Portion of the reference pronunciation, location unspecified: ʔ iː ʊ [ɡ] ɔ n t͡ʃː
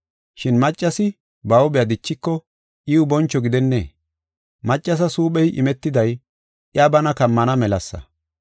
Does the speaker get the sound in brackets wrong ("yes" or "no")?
yes